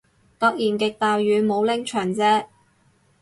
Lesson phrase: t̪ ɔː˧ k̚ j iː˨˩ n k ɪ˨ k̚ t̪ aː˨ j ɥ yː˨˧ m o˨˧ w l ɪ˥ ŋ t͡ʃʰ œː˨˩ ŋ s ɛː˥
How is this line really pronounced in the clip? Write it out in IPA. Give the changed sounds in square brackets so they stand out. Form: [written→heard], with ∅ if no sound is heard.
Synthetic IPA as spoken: t̪ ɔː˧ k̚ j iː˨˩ n k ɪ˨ k̚ t̪ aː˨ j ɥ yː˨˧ m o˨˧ w l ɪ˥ ŋ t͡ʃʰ œː˨˩ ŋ [s→t͡s] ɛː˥